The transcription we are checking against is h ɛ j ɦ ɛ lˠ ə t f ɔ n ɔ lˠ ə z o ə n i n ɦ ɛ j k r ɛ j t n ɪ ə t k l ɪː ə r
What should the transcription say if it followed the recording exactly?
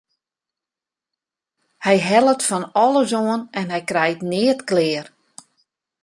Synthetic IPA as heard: h ɛ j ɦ ɛ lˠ ə t f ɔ n ɔ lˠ ə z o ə n ɛ n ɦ ɛ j k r ɛ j t n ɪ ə t k l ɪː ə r